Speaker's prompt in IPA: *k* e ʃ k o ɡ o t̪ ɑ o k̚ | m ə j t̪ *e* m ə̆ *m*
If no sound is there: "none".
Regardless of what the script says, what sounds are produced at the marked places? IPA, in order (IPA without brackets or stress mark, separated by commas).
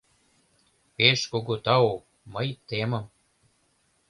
p, e, m